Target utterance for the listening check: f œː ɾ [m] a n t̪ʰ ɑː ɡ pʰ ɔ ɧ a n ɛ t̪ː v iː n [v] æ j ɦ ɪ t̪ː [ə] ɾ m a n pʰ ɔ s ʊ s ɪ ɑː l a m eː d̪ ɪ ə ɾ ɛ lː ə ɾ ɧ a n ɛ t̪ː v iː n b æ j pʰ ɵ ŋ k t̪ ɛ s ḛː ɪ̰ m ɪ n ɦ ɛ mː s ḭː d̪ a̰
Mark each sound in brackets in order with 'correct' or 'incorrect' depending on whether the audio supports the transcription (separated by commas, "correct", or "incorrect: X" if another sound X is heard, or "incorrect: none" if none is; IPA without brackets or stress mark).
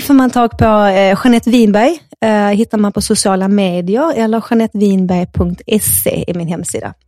correct, incorrect: b, incorrect: a